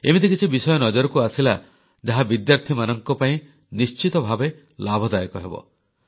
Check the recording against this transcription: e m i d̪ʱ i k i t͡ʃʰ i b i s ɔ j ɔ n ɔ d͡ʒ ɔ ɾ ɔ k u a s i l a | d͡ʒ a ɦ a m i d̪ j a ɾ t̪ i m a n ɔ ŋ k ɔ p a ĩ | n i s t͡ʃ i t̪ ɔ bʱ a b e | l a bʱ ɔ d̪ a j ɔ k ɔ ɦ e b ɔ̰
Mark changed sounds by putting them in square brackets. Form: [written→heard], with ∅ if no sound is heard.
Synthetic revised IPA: e m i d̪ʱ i k i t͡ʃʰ i b i s ɔ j ɔ n ɔ d͡ʒ ɔ ɾ ɔ k u a s i l a | d͡ʒ a ɦ a [m→b] i d̪ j a ɾ [t̪→t̪ʰ] i m a n ɔ ŋ k ɔ p a ĩ | n i s t͡ʃ i t̪ ɔ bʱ a b e | l a bʱ ɔ d̪ a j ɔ k ɔ ɦ e b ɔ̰

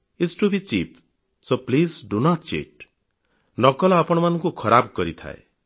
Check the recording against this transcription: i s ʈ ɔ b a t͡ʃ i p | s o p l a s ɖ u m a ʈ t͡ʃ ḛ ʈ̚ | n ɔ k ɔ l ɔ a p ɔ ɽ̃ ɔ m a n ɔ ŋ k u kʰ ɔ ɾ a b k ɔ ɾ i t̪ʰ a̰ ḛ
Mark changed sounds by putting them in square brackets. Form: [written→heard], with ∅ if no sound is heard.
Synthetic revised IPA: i s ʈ [ɔ→u] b [a→i] t͡ʃ i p | s o p l [a→i] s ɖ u [m→n] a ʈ t͡ʃ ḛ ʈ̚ | n ɔ k ɔ l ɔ a p ɔ ɽ̃ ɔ m a n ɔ ŋ k u kʰ ɔ ɾ a b k ɔ ɾ i t̪ʰ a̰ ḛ

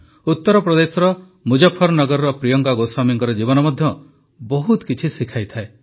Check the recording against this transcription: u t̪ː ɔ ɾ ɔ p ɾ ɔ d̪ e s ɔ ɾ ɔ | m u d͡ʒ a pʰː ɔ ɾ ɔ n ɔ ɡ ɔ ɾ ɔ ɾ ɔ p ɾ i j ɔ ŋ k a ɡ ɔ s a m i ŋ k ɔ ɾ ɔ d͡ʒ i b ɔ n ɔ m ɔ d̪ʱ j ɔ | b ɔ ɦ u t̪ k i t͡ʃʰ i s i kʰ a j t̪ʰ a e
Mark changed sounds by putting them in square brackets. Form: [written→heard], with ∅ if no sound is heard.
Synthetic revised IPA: u t̪ː ɔ ɾ ɔ p ɾ ɔ d̪ e s ɔ ɾ ɔ | m u d͡ʒ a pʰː ɔ ɾ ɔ n ɔ ɡ ɔ ɾ ɔ ɾ ɔ p ɾ i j ɔ ŋ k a ɡ [ɔ→o] s a m i ŋ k ɔ ɾ ɔ d͡ʒ i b ɔ n ɔ m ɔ d̪ʱ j ɔ | b ɔ ɦ u t̪ k i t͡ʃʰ i s i kʰ a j t̪ʰ a e

